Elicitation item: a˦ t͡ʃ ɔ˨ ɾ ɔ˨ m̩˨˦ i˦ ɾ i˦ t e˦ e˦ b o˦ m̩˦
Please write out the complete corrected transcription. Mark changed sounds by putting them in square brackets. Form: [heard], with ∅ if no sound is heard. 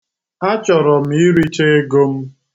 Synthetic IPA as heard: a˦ t͡ʃ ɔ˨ ɾ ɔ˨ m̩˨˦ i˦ ɾ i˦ [t͡ʃ] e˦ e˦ [ɡ] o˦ m̩˦

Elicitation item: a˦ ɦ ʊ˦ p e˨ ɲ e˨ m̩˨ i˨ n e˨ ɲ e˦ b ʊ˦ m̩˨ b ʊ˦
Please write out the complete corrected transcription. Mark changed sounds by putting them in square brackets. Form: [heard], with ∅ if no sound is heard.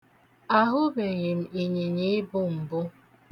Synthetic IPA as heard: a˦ ɦ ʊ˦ [b] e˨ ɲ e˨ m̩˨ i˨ [ɲ] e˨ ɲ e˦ b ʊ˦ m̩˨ b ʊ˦

